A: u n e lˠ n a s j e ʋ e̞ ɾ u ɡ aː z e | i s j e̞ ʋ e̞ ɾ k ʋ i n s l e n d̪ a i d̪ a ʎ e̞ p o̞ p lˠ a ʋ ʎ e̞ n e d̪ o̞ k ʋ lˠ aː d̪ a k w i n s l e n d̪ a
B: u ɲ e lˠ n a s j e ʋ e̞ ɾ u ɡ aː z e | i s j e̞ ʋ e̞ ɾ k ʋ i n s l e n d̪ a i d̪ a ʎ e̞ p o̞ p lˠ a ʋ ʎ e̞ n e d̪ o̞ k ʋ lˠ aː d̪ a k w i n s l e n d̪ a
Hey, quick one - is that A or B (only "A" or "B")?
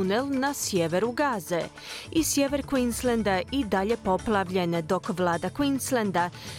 A